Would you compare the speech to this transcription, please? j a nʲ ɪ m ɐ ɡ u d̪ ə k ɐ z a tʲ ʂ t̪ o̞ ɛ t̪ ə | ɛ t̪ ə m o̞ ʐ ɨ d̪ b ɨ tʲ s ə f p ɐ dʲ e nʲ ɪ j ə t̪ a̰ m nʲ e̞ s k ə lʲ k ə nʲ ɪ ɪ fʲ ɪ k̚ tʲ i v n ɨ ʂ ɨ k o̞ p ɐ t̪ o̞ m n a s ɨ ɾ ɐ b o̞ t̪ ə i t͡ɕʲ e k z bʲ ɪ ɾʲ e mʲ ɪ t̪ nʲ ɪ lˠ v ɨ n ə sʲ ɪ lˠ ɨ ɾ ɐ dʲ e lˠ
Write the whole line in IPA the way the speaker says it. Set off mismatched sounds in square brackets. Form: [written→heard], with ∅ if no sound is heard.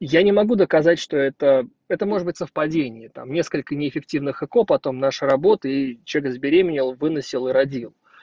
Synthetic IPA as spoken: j a nʲ ɪ m ɐ ɡ u d̪ ə k ɐ z a tʲ ʂ t̪ o̞ ɛ t̪ ə | ɛ t̪ ə m o̞ ʐ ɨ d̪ b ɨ tʲ s ə f p ɐ dʲ e nʲ ɪ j ə t̪ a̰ m nʲ e̞ s k ə lʲ k ə nʲ ɪ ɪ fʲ ɪ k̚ tʲ i v n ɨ [ʂ→x] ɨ k o̞ p ɐ t̪ o̞ m n a [s→ʂ] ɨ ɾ ɐ b o̞ t̪ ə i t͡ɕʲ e k z bʲ ɪ ɾʲ e mʲ ɪ [t̪→∅] nʲ ɪ lˠ v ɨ n ə sʲ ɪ lˠ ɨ ɾ ɐ dʲ [e→i] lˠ